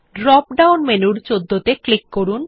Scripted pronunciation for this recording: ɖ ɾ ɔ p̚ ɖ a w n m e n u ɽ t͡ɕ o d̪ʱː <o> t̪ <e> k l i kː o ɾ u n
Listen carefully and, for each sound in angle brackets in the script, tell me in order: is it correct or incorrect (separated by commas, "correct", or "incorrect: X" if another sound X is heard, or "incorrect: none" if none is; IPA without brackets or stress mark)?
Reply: correct, correct